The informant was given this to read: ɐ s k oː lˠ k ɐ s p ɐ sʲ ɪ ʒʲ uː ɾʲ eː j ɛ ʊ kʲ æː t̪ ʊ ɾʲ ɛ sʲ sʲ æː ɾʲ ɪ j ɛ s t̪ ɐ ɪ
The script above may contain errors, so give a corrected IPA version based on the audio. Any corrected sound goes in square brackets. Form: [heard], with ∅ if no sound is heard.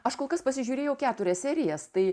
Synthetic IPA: ɐ [ʃ] k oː lˠ k ɐ s p ɐ sʲ ɪ ʒʲ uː ɾʲ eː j ɛ ʊ kʲ æː t̪ ʊ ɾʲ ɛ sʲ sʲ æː ɾʲ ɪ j ɛ s t̪ ɐ ɪ

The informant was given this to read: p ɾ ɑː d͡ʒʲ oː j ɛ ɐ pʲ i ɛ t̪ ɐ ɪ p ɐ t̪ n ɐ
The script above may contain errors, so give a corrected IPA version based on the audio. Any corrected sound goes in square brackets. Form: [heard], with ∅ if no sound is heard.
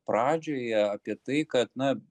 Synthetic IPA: p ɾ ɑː d͡ʒʲ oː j ɛ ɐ pʲ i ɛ t̪ ɐ ɪ [k] ɐ t̪ n ɐ

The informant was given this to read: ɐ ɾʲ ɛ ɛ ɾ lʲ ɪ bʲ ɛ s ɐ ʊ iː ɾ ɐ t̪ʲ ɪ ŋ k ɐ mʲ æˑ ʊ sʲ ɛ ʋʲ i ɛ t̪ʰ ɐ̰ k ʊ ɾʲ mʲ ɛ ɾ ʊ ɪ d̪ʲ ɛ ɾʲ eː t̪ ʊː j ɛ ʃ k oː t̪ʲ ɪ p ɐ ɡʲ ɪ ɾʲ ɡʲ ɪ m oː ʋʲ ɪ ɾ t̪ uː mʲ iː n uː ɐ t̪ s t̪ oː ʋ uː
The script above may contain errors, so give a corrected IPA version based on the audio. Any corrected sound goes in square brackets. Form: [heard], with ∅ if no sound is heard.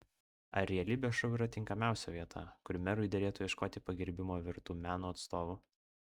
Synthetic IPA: ɐ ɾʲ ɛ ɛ [∅] lʲ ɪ bʲ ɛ [ʃ] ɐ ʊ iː ɾ ɐ t̪ʲ ɪ ŋ k ɐ mʲ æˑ ʊ sʲ ɛ ʋʲ i ɛ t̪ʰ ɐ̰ k ʊ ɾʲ mʲ ɛ ɾ ʊ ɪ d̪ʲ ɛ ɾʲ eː t̪ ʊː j ɛ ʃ k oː t̪ʲ ɪ p ɐ ɡʲ ɪ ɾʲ [bʲ] ɪ m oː ʋʲ ɪ ɾ t̪ uː mʲ [æː] n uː ɐ t̪ s t̪ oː ʋ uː

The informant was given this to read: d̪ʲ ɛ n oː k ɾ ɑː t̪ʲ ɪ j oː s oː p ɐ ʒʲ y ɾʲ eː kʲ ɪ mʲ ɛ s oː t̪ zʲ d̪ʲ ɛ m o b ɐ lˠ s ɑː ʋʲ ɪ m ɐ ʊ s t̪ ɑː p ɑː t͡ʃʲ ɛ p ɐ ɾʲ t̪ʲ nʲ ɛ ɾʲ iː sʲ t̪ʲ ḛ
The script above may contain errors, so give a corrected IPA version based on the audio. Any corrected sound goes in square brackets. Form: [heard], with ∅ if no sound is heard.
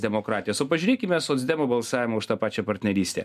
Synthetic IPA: d̪ʲ ɛ [m] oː k ɾ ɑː t̪ʲ ɪ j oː s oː p ɐ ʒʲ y ɾʲ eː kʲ ɪ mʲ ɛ s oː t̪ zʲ d̪ʲ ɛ m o b ɐ lˠ s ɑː ʋʲ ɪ m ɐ ʊ [ʃ] t̪ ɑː p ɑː t͡ʃʲ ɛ p ɐ ɾʲ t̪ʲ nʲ ɛ ɾʲ iː sʲ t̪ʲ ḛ

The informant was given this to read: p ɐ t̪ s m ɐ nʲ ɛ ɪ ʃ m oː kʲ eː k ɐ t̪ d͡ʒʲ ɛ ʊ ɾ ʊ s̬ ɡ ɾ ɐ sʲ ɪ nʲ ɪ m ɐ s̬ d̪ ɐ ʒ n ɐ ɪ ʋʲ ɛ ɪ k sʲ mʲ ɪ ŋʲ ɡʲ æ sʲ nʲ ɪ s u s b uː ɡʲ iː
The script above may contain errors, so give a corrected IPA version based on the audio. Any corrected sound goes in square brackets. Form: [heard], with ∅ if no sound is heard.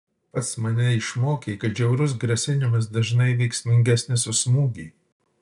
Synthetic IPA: p ɐ t̪ s m ɐ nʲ ɛ ɪ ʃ m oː kʲ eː k ɐ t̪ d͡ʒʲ ɛ ʊ ɾ ʊ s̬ ɡ ɾ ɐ sʲ ɪ nʲ ɪ m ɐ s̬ d̪ ɐ ʒ n ɐ ɪ ʋʲ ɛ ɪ k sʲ mʲ ɪ ŋʲ ɡʲ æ sʲ nʲ ɪ s [ʊ] s [m] uː ɡʲ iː

